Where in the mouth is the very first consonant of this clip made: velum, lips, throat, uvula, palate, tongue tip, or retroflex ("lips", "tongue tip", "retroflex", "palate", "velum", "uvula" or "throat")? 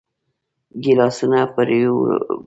velum